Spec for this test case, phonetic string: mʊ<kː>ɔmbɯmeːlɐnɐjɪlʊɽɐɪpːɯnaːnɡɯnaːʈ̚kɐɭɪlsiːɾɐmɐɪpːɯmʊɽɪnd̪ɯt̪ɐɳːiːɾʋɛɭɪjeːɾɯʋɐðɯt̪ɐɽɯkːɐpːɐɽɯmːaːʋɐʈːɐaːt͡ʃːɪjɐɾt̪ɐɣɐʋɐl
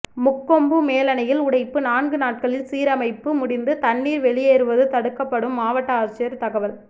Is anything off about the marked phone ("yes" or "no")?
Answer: no